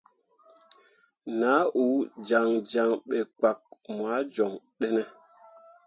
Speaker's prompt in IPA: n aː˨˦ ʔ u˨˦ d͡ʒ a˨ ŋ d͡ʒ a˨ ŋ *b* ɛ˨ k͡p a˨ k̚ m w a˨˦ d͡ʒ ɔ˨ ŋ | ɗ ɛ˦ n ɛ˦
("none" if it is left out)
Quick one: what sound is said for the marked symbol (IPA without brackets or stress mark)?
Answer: ɓ